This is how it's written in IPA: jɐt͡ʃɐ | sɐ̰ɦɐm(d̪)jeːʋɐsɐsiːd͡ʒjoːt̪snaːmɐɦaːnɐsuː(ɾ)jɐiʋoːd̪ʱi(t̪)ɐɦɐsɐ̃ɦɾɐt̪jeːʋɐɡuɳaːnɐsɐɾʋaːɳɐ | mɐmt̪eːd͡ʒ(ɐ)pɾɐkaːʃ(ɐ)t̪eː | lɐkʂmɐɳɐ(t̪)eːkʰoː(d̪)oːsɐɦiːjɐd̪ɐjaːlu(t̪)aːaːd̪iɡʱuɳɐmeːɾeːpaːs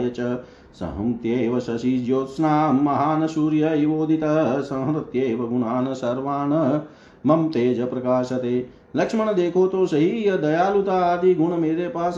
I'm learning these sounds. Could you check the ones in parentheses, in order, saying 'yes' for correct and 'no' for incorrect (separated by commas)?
no, yes, yes, yes, yes, no, no, yes